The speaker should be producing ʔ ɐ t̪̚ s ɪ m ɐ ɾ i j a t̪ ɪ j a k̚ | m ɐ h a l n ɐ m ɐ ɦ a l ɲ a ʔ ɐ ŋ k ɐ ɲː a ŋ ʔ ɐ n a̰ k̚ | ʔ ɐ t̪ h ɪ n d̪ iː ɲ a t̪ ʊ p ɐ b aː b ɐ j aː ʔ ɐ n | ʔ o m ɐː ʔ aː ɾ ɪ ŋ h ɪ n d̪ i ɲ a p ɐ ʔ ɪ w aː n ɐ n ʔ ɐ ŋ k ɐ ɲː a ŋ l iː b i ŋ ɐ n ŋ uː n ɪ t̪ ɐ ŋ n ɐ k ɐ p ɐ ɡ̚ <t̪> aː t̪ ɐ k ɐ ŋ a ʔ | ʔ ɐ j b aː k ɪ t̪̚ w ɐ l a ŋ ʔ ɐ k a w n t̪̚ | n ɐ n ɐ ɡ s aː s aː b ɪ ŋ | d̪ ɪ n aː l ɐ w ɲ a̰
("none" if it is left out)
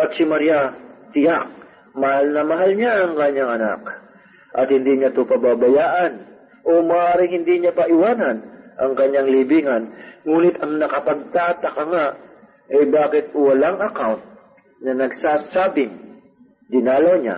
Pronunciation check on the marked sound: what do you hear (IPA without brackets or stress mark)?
t̪